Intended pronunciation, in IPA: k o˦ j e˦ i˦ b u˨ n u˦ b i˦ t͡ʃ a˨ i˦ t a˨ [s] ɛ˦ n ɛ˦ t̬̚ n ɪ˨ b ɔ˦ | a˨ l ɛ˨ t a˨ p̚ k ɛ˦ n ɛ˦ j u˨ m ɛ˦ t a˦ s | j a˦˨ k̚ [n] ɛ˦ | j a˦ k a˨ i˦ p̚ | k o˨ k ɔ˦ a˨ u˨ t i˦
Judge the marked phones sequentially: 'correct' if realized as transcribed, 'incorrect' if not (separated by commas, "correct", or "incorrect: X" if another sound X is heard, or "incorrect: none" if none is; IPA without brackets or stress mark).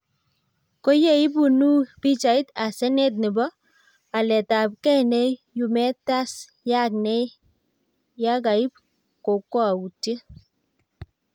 correct, correct